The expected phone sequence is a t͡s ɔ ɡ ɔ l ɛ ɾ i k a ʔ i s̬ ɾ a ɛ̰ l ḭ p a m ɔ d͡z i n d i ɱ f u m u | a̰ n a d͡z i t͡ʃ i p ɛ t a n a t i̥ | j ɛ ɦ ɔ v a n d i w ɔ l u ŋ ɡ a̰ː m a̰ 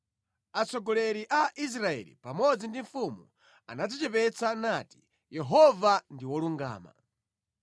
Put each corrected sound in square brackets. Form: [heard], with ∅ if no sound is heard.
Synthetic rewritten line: a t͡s ɔ ɡ ɔ l ɛ ɾ i [ʔ] a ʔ i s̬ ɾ a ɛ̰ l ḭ p a m ɔ d͡z i n d i ɱ f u m u | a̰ n a d͡z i t͡ʃ [ɛ] p ɛ [t͡s] a n a t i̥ | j ɛ ɦ ɔ v a n d i w ɔ l u ŋ ɡ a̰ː m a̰